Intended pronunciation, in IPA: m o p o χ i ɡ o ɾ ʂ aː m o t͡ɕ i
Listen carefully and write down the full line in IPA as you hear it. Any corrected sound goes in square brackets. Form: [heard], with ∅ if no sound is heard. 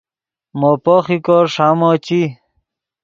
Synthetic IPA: m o p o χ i [k] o ɾ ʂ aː m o t͡ɕ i